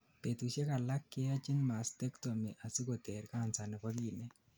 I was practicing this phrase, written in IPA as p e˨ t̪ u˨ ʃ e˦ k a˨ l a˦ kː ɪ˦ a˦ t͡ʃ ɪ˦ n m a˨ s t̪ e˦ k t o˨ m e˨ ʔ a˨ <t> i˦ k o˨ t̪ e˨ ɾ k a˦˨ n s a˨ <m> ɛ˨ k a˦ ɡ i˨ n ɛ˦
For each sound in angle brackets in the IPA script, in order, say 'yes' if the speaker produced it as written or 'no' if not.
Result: no, no

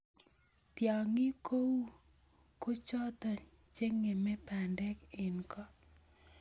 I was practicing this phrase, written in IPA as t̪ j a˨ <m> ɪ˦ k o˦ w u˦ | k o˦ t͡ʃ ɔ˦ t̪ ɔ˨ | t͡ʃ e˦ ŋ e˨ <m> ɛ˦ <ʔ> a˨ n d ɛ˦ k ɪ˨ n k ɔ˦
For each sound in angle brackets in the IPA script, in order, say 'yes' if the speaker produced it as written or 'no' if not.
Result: no, yes, no

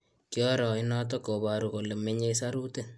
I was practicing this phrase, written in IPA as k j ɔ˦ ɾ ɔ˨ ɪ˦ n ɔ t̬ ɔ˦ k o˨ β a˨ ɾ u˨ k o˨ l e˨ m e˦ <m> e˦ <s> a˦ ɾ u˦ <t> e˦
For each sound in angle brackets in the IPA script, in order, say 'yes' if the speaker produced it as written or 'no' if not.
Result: no, yes, yes

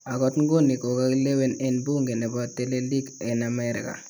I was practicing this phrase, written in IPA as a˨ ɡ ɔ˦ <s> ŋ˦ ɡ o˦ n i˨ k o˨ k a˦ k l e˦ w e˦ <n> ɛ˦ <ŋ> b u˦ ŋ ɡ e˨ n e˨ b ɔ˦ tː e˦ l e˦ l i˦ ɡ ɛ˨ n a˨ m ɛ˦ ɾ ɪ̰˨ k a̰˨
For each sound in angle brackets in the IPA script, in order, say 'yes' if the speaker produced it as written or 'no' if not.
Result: no, yes, no

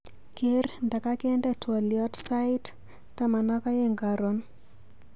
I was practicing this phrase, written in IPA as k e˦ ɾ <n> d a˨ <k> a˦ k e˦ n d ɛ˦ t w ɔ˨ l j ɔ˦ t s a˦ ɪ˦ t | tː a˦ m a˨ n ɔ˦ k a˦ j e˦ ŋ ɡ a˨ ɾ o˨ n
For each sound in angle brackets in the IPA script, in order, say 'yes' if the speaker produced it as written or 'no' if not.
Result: yes, yes

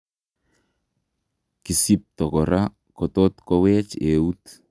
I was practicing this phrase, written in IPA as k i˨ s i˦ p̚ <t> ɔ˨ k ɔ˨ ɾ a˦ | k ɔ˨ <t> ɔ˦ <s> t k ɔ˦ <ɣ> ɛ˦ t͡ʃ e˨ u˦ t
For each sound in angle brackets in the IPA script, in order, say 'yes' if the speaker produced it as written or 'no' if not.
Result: yes, yes, no, no

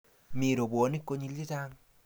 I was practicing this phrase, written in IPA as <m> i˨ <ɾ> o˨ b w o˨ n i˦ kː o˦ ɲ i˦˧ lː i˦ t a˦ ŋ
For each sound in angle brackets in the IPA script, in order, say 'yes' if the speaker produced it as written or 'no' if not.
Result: yes, yes

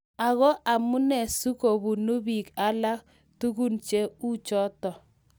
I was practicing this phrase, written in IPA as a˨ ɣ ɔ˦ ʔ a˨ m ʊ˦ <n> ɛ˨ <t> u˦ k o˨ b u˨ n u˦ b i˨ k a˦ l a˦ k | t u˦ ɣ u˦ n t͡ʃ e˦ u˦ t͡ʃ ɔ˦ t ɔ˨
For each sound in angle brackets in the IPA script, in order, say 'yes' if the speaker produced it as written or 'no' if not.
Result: yes, no

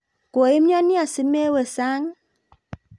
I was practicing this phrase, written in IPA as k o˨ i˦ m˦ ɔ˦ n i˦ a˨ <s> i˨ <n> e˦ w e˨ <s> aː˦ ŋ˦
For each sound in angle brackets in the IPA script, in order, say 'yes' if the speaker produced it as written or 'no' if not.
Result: yes, no, yes

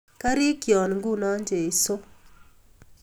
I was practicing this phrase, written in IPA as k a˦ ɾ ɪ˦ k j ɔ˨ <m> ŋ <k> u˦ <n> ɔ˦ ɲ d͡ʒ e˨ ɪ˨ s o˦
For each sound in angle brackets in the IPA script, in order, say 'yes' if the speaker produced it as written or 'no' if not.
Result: no, no, yes

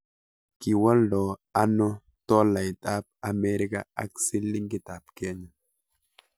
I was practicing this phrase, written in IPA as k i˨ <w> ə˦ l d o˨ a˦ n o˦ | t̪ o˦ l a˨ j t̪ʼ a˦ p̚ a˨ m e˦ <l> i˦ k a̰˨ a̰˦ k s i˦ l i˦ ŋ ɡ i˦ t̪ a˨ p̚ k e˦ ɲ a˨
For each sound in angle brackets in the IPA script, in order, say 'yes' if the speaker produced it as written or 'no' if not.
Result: yes, no

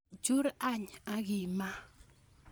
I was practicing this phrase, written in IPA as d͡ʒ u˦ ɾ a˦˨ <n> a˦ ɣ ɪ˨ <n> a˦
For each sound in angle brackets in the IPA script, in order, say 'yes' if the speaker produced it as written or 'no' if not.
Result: no, no

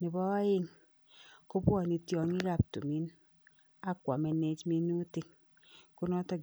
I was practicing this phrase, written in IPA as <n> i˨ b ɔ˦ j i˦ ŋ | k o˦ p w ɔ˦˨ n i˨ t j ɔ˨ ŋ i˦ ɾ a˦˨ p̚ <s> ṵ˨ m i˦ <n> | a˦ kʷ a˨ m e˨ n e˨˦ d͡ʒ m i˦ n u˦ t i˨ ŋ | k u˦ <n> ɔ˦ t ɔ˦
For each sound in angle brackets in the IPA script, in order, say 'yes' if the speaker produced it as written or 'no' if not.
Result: yes, no, yes, yes

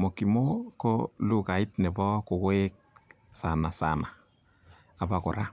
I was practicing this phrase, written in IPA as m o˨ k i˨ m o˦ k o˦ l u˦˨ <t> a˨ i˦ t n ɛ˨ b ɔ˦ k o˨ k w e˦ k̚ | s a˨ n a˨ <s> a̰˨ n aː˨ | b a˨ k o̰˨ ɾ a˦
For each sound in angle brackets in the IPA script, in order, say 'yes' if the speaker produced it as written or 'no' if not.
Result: no, yes

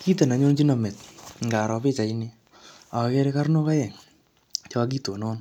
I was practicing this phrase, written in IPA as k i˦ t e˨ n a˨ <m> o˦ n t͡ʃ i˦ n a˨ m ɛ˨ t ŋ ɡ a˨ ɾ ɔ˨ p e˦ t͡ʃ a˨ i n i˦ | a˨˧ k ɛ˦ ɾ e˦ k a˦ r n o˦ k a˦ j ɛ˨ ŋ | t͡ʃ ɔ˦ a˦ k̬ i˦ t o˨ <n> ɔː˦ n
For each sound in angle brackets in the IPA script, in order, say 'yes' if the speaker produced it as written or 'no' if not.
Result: no, yes

